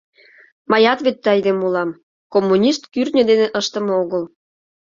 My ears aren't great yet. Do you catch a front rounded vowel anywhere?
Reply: yes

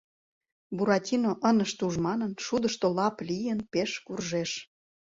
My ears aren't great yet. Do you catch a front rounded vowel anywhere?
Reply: no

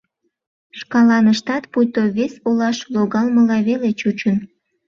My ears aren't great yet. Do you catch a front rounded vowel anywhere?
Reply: no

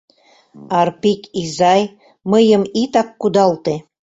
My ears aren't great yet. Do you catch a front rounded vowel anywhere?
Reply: no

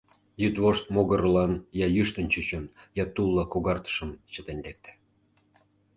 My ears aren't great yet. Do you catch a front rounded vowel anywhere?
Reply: yes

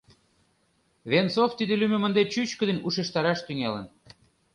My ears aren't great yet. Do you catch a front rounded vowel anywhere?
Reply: yes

